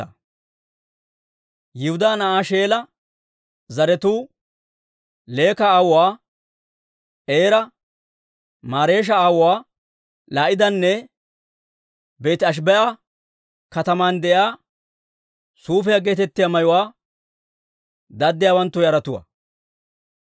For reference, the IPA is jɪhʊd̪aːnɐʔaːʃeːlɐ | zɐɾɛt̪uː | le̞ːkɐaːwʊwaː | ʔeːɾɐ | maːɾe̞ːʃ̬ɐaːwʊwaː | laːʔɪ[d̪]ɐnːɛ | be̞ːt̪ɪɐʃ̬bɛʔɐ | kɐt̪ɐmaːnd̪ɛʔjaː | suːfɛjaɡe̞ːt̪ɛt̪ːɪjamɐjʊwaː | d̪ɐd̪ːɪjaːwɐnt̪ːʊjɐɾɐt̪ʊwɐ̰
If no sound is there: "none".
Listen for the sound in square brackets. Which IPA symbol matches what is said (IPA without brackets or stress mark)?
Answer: d̪